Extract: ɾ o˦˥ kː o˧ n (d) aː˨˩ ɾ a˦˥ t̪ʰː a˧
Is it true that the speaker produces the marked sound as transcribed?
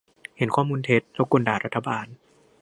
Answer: yes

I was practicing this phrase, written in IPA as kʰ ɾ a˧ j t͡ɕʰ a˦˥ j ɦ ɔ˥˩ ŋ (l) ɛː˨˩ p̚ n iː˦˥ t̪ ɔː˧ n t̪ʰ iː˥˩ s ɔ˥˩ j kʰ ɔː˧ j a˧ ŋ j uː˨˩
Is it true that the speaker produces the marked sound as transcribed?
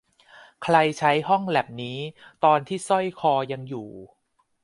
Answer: yes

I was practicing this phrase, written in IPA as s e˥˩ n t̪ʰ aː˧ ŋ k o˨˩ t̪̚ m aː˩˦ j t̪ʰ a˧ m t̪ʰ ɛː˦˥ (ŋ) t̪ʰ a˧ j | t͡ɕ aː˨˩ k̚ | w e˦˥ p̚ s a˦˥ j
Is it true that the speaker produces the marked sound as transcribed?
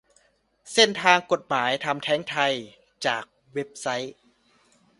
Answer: yes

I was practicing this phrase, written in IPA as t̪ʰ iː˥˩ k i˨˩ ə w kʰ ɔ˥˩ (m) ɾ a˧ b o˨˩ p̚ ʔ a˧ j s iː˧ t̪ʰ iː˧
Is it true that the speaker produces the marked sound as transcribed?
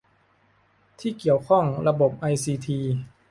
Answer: no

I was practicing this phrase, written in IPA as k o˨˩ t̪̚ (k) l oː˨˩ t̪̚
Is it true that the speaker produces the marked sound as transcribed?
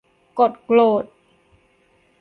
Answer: yes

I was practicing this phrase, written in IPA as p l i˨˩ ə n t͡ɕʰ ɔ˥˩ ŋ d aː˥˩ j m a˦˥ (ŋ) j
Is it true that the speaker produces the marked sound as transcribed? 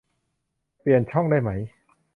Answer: no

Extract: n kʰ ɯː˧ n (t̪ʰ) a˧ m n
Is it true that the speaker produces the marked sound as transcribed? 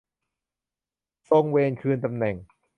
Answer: no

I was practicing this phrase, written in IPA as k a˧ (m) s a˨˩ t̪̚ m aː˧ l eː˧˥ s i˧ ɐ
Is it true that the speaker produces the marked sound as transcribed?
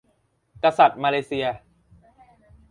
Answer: no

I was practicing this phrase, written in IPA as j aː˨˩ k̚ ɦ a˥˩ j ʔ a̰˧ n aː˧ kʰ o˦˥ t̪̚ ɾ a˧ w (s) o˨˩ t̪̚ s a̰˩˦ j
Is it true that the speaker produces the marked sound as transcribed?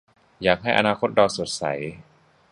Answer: yes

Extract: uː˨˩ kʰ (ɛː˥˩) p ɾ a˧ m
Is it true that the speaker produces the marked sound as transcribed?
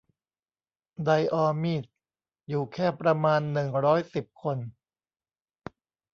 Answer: yes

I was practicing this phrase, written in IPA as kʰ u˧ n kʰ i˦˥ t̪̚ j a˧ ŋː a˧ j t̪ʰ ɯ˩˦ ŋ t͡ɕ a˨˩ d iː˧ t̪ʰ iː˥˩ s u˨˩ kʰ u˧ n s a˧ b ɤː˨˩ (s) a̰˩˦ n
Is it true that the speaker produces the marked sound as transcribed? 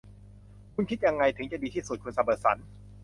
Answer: yes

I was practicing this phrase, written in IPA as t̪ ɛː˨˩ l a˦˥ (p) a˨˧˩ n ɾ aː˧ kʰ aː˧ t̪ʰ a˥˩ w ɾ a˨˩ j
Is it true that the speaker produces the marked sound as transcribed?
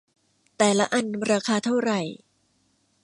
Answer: no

